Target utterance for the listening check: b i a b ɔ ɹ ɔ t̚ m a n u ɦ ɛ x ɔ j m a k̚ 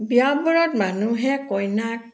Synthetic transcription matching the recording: b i a b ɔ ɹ ɔ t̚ m a n u ɦ ɛ k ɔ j n a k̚